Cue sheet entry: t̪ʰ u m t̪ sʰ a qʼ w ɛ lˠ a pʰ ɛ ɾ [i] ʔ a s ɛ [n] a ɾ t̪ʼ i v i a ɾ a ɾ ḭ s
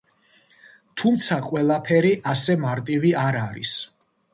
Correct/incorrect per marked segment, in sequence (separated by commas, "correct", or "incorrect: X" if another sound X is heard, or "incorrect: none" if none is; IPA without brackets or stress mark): correct, incorrect: m